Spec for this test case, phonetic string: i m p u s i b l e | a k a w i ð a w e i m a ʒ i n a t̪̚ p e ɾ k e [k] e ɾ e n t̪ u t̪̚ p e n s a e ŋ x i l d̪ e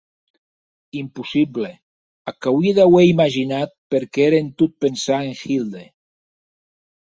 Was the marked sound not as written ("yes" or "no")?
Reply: yes